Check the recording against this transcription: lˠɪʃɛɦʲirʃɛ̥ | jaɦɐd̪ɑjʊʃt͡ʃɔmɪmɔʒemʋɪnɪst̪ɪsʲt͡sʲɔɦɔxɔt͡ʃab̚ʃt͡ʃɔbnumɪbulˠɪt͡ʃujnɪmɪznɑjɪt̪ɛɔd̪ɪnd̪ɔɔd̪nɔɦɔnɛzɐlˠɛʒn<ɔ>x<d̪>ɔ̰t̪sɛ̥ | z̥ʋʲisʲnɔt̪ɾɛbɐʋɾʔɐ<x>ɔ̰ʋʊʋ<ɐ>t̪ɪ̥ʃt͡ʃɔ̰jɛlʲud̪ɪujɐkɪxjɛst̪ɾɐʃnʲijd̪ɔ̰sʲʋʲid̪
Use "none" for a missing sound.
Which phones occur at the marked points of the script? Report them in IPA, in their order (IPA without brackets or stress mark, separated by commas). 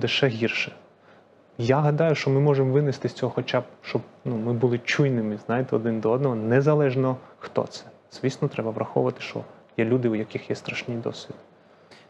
ɔ, t̪, x, ɐ